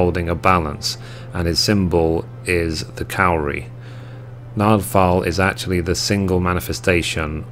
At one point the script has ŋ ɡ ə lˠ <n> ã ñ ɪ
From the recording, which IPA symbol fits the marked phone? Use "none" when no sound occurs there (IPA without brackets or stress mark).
m